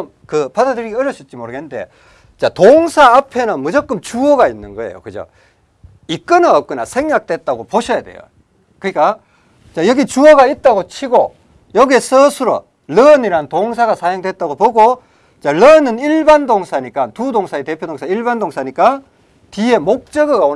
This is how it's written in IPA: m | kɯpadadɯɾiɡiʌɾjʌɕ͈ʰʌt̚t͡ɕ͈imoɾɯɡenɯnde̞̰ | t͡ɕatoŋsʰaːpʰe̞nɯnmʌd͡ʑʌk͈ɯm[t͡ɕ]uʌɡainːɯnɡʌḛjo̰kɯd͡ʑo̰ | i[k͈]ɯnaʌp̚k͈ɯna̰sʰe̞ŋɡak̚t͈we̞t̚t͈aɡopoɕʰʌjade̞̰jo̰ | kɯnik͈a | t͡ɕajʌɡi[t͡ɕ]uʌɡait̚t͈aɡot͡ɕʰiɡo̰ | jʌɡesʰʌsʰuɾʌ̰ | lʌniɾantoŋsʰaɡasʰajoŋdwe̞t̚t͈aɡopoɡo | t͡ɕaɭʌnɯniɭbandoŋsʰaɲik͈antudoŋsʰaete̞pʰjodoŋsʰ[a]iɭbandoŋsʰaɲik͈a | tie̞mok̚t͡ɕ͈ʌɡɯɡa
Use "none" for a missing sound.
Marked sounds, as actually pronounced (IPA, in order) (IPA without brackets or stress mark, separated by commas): t͡ɕ, k͈, t͡ɕ, a